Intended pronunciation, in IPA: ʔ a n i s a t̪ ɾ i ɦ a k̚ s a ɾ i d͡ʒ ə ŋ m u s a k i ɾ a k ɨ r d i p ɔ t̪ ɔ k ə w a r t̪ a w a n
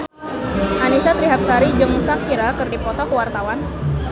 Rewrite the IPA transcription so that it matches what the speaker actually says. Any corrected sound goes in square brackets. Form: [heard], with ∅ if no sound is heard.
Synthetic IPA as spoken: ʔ a n i s a t̪ ɾ i ɦ a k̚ s a ɾ i d͡ʒ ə ŋ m u s a k i ɾ a k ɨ r d i p ɔ t̪ ɔ k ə w a r t̪ a w a n